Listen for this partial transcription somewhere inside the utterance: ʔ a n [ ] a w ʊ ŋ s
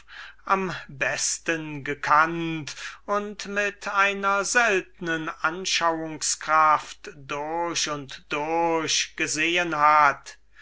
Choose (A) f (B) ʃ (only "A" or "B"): B